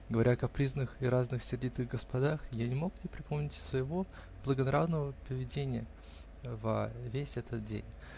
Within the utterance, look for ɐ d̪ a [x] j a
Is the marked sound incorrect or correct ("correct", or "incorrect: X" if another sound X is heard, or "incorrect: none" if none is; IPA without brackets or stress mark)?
correct